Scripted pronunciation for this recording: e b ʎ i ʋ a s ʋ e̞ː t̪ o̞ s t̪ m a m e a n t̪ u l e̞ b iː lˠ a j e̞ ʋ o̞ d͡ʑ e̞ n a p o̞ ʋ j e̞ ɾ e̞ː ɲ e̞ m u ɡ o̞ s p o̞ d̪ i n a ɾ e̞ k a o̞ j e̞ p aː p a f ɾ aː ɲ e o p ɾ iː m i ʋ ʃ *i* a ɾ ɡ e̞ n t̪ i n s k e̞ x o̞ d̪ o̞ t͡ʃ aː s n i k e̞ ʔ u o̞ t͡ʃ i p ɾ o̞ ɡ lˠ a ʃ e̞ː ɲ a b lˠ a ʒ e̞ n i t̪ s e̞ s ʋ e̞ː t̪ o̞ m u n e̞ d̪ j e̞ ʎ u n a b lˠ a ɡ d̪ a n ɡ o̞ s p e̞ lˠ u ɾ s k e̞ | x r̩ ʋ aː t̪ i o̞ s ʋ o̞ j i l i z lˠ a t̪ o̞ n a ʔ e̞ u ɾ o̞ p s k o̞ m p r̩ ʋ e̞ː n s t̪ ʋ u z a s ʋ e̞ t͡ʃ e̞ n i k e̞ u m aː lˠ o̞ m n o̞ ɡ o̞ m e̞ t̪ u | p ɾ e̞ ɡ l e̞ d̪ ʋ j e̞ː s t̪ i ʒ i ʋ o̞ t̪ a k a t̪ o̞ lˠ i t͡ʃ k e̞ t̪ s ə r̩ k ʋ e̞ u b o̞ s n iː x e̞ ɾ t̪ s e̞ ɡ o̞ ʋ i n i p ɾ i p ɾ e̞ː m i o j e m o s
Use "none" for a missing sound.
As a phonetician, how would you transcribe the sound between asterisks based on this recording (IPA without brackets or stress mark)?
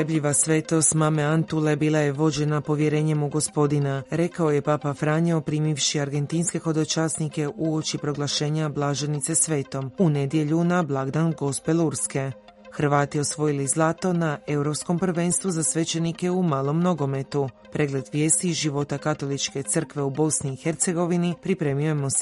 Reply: i